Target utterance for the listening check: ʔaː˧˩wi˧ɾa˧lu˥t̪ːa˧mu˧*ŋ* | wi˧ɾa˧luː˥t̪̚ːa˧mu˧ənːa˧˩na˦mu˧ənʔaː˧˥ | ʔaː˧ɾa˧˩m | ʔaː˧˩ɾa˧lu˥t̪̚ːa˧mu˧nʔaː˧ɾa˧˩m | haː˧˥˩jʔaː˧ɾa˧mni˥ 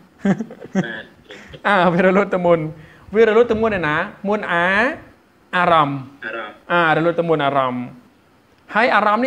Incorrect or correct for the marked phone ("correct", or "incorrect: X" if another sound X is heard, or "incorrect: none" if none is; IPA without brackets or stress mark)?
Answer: incorrect: n